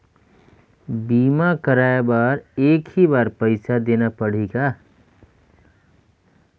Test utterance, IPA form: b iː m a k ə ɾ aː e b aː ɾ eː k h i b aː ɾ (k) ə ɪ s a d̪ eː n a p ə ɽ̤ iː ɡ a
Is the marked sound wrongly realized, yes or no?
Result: yes